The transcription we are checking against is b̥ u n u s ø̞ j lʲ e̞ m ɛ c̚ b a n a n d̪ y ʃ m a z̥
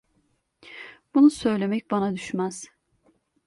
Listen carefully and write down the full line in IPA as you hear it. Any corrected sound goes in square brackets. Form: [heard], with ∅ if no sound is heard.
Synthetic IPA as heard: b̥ u n u s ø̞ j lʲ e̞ m ɛ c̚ b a n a [∅] d̪ y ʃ m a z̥